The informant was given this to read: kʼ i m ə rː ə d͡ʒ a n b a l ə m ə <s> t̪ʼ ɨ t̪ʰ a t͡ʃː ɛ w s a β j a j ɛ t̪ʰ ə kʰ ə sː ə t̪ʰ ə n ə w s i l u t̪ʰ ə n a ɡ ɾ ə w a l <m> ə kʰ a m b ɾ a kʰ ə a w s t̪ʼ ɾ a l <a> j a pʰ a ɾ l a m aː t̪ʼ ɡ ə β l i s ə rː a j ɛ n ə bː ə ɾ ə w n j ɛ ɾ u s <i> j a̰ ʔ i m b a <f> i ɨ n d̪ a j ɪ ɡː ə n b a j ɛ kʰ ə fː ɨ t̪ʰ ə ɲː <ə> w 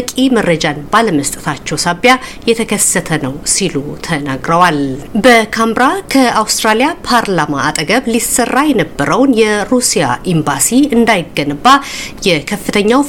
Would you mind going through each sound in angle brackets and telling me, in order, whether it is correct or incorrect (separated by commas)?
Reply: correct, incorrect, incorrect, correct, incorrect, incorrect